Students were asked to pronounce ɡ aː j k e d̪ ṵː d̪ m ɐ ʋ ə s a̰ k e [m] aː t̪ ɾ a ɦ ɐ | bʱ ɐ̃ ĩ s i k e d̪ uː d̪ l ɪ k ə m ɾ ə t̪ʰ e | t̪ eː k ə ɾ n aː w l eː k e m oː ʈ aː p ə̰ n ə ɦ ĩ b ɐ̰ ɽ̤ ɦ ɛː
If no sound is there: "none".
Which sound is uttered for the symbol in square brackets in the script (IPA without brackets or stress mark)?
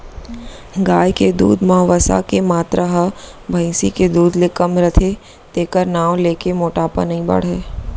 m